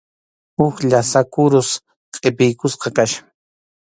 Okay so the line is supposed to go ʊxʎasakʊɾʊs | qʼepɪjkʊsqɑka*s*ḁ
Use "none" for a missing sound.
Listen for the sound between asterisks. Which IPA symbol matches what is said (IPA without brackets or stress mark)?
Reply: ʃ